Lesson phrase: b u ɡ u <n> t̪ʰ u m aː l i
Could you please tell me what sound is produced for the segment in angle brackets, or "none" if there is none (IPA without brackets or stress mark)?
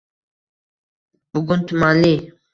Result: n